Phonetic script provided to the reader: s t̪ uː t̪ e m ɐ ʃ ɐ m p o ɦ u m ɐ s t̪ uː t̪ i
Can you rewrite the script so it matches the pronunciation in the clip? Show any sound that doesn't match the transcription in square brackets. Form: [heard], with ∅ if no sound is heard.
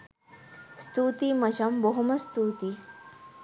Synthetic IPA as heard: s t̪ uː t̪ [i] m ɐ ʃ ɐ m [b] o ɦ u m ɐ s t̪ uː t̪ i